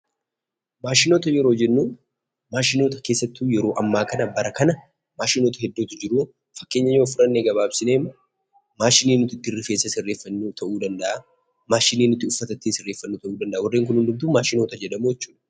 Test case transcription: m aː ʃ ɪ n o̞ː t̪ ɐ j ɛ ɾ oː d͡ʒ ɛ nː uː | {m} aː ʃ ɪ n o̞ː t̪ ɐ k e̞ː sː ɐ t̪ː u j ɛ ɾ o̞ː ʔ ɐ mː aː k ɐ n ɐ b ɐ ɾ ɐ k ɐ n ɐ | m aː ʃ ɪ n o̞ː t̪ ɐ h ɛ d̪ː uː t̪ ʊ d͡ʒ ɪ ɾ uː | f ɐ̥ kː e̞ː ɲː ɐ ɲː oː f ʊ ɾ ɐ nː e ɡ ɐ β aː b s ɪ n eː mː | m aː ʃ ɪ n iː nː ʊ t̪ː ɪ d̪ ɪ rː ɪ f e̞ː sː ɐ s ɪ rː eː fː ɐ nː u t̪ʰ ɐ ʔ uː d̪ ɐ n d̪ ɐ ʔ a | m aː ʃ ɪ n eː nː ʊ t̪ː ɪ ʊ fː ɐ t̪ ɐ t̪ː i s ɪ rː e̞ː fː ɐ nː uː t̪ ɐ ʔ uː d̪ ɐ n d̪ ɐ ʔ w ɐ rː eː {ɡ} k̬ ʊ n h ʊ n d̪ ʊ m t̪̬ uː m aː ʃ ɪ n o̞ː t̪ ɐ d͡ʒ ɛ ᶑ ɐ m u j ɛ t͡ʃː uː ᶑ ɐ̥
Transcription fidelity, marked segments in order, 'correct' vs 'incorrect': correct, incorrect: ŋ

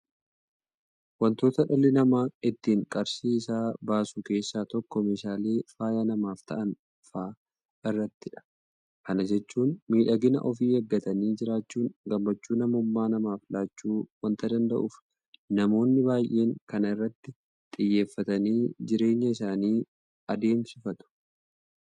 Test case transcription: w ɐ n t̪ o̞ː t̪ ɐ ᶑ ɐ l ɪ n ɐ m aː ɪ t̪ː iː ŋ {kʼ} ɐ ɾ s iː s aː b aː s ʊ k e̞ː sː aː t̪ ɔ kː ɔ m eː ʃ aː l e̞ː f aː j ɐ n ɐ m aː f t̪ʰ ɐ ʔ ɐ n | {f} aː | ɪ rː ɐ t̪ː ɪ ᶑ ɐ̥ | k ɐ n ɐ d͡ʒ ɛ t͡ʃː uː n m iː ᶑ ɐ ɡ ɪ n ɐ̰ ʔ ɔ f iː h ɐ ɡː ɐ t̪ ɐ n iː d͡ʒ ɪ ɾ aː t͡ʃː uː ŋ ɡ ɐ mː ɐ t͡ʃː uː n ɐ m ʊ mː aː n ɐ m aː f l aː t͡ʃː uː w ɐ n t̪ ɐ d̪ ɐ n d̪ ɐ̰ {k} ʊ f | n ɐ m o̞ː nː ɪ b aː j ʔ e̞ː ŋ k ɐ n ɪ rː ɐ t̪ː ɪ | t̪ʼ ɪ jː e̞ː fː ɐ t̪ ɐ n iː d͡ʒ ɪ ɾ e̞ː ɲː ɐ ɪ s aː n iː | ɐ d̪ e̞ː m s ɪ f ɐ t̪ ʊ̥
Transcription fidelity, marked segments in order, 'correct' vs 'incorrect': correct, correct, incorrect: ʔ

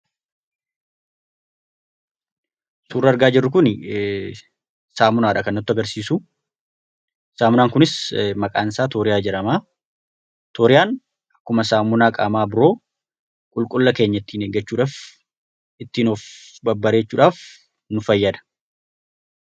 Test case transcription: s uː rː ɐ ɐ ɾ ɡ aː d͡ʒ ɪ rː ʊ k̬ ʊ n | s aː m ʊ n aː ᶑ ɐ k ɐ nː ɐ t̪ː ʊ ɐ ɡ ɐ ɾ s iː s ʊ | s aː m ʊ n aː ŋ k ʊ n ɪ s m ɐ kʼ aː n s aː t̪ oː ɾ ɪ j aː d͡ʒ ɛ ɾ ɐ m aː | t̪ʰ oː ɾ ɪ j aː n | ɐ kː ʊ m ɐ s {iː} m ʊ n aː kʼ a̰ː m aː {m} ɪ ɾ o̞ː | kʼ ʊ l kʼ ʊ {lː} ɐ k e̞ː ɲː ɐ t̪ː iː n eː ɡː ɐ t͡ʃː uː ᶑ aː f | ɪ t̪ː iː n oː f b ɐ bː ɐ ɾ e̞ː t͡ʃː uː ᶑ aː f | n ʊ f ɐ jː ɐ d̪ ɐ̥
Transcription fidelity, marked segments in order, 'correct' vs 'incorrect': incorrect: aː, incorrect: b, correct

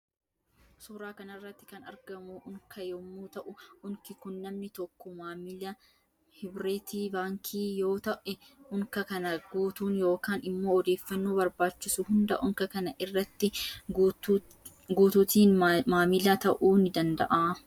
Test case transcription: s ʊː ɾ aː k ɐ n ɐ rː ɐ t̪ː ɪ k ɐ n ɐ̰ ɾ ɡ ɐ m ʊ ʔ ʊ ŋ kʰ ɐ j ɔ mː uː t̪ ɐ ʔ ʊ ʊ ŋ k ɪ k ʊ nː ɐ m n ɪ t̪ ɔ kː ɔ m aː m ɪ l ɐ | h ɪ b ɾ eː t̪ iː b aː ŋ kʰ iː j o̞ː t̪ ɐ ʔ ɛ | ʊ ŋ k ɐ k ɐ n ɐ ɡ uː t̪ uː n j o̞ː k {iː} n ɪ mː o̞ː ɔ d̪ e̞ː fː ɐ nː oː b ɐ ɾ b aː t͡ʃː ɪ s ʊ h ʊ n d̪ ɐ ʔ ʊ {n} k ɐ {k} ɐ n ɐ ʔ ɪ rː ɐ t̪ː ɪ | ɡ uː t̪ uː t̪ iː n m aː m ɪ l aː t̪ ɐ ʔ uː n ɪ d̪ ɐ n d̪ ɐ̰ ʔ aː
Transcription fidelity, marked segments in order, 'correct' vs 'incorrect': incorrect: aː, incorrect: ŋ, correct

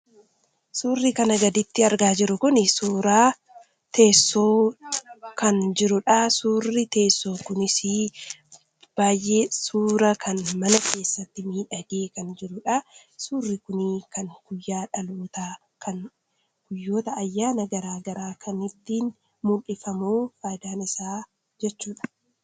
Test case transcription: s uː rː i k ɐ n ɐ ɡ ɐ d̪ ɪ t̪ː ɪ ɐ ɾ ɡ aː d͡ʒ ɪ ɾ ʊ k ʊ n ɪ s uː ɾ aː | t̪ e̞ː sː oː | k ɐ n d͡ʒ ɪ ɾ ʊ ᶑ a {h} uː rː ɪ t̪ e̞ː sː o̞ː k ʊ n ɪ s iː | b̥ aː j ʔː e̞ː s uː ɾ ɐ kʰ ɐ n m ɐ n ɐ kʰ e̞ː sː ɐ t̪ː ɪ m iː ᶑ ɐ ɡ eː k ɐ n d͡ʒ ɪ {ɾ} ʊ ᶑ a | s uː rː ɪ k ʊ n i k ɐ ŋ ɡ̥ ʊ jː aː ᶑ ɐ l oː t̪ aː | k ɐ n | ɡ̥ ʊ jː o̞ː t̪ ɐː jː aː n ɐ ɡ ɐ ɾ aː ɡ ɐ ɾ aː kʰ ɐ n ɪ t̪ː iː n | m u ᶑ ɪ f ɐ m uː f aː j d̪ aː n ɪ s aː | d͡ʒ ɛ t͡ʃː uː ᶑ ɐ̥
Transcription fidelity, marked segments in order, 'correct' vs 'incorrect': incorrect: s, correct

